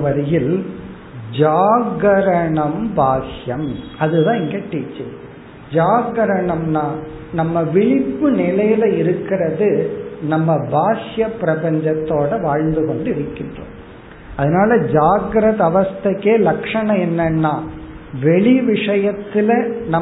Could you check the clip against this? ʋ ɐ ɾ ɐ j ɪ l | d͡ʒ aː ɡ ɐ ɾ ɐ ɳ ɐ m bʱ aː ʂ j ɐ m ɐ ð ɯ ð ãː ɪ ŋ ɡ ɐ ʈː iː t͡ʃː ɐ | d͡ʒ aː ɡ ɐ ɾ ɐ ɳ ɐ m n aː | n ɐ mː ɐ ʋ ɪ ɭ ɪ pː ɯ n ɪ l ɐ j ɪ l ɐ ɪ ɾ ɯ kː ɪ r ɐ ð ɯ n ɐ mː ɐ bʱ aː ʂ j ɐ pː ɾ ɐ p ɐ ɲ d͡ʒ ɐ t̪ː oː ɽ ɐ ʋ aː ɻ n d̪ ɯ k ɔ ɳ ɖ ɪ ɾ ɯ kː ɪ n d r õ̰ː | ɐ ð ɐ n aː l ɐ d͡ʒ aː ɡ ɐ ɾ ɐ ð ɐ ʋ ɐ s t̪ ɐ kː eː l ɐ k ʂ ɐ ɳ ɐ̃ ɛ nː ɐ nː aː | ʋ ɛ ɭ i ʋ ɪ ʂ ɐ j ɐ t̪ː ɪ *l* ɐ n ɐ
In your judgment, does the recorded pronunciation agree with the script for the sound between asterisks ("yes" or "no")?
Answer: yes